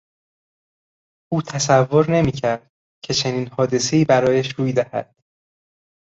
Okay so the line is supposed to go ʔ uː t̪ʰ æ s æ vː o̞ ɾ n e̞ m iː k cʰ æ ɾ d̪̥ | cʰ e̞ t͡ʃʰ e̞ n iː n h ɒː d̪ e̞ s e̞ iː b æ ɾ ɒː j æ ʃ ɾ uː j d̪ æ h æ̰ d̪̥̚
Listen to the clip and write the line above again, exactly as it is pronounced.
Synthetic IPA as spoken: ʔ uː t̪ʰ æ s æ vː o̞ ɾ n e̞ m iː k cʰ æ ɾ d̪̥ | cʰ e̞ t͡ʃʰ e̞ n iː n h ɒː d̪ e̞ s e̞ iː b æ ɾ ɒː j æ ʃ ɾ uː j d̪ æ h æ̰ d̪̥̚